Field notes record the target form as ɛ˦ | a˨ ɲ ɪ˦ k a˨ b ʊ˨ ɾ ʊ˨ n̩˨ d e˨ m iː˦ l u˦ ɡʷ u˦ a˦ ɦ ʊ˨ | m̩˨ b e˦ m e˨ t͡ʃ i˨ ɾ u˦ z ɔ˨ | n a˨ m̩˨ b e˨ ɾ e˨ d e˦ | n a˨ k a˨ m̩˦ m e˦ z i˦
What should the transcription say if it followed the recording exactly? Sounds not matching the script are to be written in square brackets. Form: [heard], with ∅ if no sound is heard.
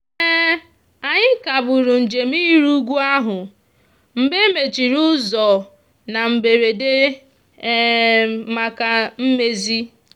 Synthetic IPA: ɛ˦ | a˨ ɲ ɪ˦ k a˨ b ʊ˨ ɾ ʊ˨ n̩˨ [d͡ʒ] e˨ m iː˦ [ɾ] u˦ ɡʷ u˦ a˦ ɦ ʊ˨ | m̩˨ b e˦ m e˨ t͡ʃ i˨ ɾ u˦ z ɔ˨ | n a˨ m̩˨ b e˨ ɾ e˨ d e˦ | [m] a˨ k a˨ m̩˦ m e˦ z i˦